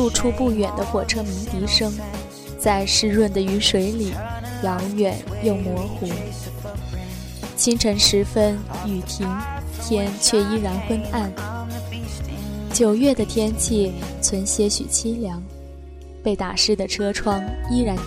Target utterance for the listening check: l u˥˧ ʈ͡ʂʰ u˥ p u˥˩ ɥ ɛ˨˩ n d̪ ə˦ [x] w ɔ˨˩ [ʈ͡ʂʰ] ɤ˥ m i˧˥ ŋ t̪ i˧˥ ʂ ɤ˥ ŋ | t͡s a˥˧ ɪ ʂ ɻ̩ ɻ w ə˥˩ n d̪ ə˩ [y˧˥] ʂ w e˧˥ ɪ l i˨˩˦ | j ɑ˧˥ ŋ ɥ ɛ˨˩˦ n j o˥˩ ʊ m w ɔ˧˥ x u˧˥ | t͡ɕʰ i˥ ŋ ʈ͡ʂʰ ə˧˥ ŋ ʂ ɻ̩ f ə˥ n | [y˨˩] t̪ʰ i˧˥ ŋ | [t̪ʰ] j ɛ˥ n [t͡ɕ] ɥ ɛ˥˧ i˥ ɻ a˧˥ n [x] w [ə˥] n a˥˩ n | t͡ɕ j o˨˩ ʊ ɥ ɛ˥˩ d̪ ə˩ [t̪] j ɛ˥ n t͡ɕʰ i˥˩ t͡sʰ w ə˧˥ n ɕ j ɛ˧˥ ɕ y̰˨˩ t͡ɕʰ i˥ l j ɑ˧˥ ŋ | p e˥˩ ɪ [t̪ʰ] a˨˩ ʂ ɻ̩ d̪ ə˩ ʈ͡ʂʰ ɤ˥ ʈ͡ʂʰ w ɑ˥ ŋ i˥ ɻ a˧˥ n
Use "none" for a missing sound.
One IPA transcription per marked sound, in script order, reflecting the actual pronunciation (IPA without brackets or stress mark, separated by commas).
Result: x, ʈ͡ʂʰ, y˧˥, y˨˩, t̪ʰ, t͡ɕʰ, x, ə˥, t̪ʰ, t̪